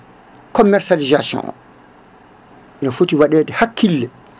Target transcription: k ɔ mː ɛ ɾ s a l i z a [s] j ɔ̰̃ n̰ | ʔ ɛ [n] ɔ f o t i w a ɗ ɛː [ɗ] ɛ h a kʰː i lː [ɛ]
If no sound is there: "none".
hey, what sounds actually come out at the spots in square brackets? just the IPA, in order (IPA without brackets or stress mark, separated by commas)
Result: s, n, d, ɛ